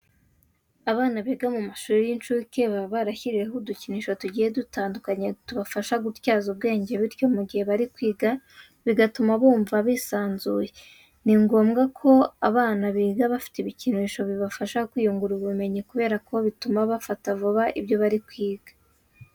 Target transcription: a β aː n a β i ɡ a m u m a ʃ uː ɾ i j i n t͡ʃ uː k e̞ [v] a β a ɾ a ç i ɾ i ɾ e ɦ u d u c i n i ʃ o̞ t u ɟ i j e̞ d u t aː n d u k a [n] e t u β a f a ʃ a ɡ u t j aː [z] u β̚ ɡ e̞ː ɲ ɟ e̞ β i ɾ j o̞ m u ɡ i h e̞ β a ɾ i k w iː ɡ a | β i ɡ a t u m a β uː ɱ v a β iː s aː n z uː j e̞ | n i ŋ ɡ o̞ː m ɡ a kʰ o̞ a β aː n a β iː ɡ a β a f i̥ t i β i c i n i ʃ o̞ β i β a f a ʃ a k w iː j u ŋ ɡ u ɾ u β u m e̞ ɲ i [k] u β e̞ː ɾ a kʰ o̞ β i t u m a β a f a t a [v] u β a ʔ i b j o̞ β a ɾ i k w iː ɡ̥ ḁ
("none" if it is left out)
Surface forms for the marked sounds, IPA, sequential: β, ɲ, z, k, v

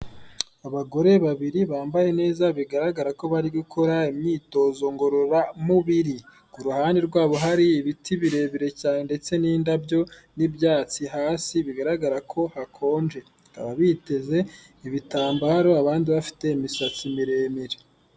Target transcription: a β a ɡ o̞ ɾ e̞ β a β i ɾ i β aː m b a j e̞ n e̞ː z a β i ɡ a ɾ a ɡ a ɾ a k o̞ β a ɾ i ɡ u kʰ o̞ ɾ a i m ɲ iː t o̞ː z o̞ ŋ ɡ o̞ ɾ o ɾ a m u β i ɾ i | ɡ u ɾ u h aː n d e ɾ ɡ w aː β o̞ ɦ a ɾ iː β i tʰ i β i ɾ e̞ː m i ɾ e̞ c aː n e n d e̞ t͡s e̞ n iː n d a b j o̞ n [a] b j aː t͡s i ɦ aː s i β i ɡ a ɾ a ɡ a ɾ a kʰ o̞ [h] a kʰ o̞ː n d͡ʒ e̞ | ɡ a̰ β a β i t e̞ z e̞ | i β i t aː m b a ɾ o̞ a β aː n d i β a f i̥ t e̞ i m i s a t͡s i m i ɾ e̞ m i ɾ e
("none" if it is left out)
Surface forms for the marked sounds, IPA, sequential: i, h

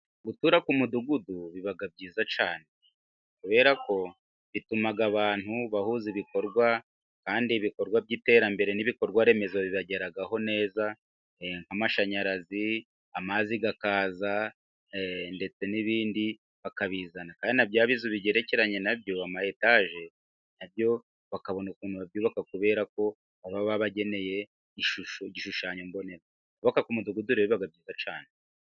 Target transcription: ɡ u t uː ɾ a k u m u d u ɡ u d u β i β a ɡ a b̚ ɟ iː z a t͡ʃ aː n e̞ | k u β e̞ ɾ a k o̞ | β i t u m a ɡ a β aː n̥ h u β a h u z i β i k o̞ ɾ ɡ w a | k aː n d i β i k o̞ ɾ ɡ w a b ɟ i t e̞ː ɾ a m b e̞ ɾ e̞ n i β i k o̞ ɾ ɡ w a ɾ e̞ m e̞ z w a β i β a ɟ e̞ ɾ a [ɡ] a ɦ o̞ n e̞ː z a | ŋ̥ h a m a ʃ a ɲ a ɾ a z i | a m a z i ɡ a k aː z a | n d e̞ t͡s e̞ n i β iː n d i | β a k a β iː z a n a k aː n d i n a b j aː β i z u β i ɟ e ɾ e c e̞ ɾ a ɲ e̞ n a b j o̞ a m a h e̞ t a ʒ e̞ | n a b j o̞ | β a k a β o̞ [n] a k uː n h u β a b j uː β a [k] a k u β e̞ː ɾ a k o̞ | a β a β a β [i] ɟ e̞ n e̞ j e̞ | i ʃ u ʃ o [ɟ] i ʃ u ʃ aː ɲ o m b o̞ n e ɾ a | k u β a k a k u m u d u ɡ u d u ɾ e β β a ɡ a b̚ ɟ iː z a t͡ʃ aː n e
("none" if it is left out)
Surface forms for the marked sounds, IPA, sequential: ɡ, n, k, a, ɟ

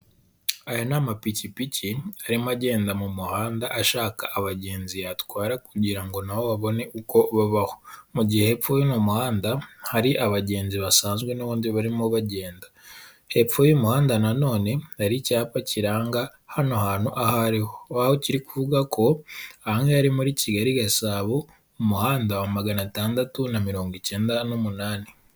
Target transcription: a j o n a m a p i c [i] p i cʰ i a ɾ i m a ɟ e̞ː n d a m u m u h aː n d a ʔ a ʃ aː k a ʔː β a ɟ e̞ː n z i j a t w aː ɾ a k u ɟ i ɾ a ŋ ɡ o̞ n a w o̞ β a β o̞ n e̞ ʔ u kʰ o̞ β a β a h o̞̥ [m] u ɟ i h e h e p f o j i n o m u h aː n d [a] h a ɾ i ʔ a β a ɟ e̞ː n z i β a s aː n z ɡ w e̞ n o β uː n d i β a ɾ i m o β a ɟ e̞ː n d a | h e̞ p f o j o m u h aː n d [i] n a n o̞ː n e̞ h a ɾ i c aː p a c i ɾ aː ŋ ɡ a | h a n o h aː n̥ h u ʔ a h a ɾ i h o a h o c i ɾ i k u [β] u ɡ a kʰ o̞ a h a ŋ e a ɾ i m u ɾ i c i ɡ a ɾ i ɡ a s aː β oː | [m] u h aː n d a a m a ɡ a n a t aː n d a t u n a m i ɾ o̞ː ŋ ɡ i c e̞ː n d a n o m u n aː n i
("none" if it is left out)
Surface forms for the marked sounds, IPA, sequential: i, m, a, a, v, m

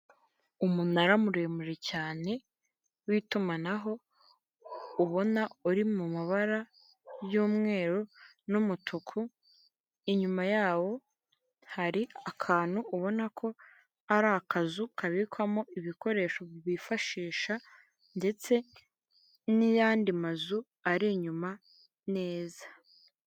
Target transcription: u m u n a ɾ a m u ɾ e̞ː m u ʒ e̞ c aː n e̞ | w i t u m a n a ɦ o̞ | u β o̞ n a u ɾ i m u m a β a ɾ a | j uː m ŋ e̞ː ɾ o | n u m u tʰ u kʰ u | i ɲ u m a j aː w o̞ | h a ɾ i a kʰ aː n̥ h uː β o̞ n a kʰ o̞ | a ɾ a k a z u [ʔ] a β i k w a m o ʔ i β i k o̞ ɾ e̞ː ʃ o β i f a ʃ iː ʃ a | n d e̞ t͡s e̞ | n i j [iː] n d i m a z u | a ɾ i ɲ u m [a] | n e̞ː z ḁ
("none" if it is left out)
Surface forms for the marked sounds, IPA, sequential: k, aː, a

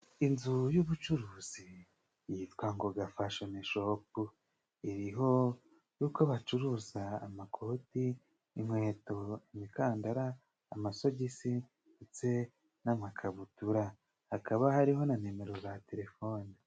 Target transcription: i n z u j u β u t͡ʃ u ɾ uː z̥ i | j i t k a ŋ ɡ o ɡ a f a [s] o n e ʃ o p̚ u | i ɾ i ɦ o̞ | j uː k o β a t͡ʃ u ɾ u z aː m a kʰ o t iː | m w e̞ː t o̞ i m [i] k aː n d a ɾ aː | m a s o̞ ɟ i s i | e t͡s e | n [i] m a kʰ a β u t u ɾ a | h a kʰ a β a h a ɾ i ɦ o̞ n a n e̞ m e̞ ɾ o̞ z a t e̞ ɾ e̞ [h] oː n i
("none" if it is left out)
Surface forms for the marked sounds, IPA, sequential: ʃ, i, a, f

